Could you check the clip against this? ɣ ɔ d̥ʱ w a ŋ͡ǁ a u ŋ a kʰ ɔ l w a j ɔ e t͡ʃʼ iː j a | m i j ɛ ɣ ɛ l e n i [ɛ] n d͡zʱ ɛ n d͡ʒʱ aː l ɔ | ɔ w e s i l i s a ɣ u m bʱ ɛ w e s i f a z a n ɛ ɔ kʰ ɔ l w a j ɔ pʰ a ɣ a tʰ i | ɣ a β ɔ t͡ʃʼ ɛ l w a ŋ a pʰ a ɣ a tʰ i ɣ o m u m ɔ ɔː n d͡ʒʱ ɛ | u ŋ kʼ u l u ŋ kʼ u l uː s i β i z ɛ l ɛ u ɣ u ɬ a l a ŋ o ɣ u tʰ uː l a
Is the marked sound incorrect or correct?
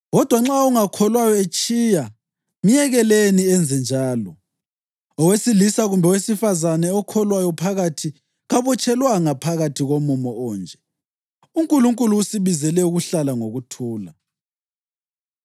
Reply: correct